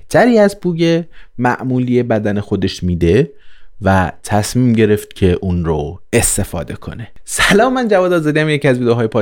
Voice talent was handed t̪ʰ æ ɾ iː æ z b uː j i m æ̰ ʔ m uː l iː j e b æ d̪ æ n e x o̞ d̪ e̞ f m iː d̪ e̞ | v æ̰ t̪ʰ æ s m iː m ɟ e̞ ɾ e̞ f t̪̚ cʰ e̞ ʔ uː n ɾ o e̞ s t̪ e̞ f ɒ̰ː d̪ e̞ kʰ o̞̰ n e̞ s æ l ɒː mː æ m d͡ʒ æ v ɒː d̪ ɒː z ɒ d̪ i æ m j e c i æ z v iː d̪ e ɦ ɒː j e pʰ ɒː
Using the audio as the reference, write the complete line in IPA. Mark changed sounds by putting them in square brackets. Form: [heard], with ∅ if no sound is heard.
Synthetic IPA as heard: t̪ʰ æ ɾ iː æ z b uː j [e] m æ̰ ʔ m uː l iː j e b æ d̪ æ n e x o̞ d̪ e̞ [ʃ] m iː d̪ e̞ | v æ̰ t̪ʰ æ s m iː m ɟ e̞ ɾ e̞ f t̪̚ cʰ e̞ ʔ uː n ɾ o e̞ s t̪ e̞ f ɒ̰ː d̪ e̞ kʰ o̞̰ n e̞ s æ l ɒː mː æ [n] d͡ʒ æ v ɒː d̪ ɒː z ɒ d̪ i æ m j e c i æ z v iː d̪ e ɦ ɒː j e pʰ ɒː